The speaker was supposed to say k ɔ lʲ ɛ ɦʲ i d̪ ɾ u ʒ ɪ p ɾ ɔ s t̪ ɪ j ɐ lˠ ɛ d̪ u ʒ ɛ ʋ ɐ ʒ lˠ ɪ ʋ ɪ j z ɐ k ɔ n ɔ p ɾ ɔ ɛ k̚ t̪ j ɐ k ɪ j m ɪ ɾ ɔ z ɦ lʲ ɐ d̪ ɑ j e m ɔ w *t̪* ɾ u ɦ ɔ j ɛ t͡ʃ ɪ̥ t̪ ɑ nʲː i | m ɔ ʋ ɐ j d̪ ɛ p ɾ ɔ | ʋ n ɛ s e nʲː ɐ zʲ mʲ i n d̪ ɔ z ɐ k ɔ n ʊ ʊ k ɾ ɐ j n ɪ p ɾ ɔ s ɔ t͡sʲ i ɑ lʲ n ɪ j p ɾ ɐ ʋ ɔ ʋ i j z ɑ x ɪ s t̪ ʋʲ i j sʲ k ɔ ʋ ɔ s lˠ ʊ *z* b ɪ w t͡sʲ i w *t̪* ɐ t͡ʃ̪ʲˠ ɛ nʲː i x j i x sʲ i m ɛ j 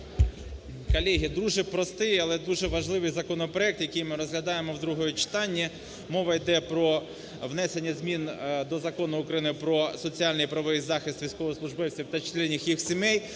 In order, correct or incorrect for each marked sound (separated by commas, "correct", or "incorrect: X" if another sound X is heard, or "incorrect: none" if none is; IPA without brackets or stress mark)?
incorrect: d̪, incorrect: ʒ, correct